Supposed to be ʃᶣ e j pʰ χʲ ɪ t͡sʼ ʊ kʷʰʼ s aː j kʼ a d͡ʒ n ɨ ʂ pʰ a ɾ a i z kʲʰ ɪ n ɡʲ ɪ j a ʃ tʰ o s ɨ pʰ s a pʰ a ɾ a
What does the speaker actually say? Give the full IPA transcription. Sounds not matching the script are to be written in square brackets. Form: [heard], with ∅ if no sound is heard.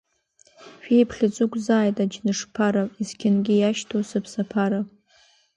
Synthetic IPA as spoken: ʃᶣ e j pʰ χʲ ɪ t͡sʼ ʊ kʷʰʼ [z] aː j [tʼ] a d͡ʒ n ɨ ʂ pʰ a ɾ a i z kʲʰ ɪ n ɡʲ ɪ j a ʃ tʰ o s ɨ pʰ s a pʰ a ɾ a